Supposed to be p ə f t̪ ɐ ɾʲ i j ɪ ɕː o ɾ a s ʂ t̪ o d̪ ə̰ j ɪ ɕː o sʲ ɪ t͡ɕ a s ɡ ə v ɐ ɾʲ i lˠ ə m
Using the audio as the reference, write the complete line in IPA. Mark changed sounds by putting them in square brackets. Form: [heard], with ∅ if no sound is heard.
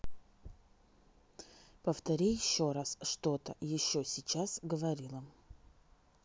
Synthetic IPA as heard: p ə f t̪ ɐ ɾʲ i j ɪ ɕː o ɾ a s ʂ t̪ o [t̪] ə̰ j ɪ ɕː o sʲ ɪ t͡ɕ a s ɡ ə v ɐ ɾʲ i lˠ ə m

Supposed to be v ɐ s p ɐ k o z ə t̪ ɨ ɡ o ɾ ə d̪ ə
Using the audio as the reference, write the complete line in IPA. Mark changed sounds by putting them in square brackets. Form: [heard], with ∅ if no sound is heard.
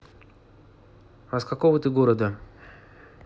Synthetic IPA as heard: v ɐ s [k] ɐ k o [v] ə t̪ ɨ ɡ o ɾ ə d̪ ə

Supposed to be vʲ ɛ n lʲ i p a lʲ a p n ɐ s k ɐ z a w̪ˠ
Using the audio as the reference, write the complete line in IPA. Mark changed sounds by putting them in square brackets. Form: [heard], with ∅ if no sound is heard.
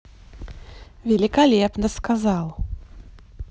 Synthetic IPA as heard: vʲ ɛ [∅] lʲ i [k] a lʲ [ɛ] p n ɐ s k [a] z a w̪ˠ

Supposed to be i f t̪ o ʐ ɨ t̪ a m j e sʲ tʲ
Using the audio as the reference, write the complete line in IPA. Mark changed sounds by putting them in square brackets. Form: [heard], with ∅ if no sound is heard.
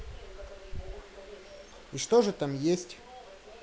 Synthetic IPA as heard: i [ʂ] t̪ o ʐ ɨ t̪ a m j e sʲ tʲ

